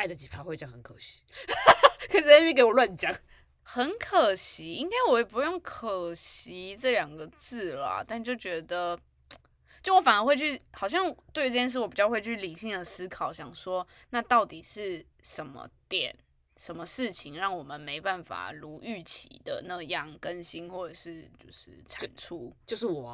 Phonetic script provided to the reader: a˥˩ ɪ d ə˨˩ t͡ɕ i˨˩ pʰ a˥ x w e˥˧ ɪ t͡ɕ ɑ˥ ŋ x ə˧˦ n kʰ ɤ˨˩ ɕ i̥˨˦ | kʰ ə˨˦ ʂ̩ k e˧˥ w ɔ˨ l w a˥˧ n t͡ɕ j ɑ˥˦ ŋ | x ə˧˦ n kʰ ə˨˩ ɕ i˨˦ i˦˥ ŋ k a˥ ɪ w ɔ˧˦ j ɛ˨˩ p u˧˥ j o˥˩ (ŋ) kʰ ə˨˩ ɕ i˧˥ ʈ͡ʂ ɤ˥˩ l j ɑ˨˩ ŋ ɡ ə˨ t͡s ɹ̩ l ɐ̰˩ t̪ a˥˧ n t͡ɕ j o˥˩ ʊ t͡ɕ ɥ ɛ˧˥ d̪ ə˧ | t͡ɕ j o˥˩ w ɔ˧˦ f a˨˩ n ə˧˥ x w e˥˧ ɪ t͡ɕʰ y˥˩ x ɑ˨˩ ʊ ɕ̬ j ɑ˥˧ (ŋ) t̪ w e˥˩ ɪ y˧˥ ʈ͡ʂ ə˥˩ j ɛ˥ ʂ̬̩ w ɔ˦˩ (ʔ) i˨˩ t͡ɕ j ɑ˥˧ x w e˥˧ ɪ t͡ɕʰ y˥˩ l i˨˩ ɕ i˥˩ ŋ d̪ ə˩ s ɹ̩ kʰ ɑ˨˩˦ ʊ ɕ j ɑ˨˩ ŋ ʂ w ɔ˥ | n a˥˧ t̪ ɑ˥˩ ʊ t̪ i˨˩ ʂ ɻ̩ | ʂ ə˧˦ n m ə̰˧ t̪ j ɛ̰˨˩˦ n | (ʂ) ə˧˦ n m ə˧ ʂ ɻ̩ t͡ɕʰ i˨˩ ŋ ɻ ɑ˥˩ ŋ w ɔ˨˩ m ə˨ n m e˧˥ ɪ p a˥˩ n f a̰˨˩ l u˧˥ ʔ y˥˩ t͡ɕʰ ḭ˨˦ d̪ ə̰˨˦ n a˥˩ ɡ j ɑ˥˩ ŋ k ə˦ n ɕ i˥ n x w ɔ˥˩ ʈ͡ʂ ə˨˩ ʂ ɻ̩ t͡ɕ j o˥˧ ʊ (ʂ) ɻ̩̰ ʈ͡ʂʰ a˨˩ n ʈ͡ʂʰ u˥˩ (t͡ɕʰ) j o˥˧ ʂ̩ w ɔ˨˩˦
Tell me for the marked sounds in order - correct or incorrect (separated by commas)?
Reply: correct, correct, incorrect, correct, correct, incorrect